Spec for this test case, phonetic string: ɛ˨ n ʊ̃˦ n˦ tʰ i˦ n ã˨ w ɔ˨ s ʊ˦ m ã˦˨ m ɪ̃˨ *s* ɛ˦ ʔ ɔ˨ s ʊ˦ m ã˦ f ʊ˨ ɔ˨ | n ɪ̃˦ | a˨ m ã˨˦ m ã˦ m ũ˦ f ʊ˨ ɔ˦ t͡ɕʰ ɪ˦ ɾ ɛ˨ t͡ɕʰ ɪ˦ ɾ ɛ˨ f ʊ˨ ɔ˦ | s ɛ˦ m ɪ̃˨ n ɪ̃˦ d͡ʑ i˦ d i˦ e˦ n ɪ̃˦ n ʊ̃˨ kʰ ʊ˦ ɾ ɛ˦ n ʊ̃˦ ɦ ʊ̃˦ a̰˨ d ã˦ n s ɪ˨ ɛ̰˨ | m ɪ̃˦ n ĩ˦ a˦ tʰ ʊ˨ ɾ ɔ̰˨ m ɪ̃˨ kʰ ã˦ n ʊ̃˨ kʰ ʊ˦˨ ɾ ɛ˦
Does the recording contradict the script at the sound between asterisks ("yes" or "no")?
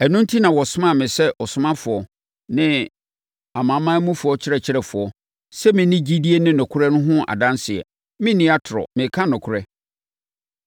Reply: no